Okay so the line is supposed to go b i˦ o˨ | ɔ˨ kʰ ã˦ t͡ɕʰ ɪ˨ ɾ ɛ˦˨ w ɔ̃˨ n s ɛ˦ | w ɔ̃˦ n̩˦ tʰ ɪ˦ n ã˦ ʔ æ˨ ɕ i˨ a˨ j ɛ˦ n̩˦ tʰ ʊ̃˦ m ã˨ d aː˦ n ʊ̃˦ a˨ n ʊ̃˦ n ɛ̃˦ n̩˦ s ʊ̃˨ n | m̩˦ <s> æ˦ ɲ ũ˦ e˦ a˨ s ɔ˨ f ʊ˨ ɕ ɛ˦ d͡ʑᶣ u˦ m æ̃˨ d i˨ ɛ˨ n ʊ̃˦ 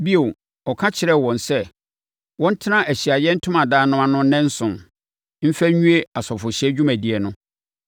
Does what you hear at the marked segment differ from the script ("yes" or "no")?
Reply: yes